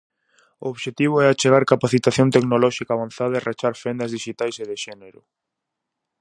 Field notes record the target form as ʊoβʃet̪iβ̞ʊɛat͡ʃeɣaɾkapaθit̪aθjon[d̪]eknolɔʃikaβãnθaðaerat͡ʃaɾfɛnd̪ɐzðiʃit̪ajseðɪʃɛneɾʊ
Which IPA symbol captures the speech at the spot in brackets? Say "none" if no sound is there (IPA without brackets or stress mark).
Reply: t̪